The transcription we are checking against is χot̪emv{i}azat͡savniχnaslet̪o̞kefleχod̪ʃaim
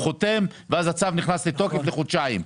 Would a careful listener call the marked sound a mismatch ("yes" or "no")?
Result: yes